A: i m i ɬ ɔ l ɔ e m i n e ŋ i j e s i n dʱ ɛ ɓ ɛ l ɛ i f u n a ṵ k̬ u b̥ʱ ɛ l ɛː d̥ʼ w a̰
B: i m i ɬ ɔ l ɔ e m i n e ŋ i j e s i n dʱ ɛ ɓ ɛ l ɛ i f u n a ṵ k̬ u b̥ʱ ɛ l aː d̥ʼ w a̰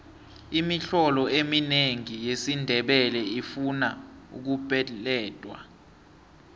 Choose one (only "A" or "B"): A